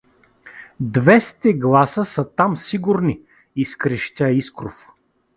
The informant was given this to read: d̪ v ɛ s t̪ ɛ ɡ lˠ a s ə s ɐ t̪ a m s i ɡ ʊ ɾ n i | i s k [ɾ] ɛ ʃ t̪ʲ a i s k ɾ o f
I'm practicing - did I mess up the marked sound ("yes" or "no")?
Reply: no